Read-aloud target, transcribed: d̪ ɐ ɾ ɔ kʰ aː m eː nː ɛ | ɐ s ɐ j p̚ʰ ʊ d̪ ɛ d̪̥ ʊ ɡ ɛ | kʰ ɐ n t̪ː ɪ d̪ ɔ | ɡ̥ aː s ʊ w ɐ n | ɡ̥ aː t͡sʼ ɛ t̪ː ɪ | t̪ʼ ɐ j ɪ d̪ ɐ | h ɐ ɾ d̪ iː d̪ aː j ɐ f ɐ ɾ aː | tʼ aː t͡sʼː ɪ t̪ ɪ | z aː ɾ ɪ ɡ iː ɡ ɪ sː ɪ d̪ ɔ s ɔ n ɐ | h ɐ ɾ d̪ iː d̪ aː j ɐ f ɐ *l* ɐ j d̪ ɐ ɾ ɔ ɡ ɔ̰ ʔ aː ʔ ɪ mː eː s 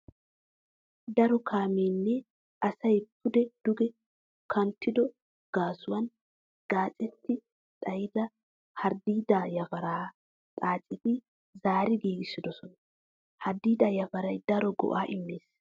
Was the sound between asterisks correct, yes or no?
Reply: no